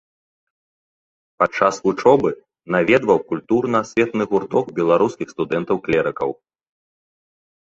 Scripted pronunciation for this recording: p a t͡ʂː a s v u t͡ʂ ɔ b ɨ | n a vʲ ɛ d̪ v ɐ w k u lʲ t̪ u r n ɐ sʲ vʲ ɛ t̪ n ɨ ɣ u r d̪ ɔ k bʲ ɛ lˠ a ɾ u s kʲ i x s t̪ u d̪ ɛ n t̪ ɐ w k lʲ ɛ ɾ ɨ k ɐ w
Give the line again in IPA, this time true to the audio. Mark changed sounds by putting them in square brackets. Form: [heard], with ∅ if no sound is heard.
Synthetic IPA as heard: p a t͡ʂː a s v u t͡ʂ ɔ b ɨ | n a vʲ ɛ d̪ v ɐ w k u lʲ t̪ u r n ɐ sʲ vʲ ɛ t̪ n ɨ ɣ u r [t̪] ɔ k bʲ ɛ lˠ a ɾ u s kʲ i x s t̪ u d̪ ɛ n t̪ ɐ w k lʲ ɛ ɾ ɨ k ɐ w